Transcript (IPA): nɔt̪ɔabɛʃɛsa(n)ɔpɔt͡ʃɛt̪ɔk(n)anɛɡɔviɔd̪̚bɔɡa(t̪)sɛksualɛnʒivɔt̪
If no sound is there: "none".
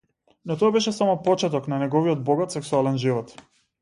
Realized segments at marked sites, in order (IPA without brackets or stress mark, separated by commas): m, n, t̪